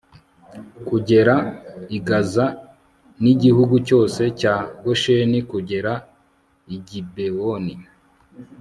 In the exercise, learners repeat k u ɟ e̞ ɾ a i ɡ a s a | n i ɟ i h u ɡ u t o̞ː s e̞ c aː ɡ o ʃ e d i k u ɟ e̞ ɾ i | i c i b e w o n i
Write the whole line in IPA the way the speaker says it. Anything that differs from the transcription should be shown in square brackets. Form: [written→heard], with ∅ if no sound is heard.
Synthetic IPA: k u ɟ e̞ ɾ a i ɡ a [s→z] a | n i ɟ i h u ɡ u [t→c] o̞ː s e̞ c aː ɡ o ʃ e [d→n] i k u ɟ e̞ ɾ [i→a] | i [c→ɟ] i b e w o n i